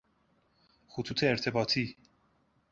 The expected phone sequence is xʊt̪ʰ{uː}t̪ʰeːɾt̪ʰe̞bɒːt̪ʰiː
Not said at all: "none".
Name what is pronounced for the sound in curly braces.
uː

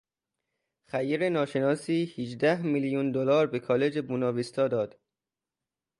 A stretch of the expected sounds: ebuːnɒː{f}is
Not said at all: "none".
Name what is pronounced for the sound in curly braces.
v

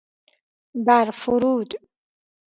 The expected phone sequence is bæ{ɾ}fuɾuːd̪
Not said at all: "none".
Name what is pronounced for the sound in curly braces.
ɾ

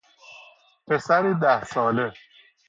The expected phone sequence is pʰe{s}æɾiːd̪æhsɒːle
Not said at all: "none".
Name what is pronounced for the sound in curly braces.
s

